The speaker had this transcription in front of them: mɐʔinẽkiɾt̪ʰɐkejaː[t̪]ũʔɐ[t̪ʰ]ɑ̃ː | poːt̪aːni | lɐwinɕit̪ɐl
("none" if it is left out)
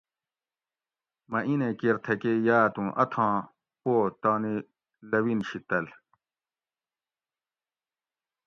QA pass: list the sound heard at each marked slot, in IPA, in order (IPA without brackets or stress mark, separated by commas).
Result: t̪, t̪ʰ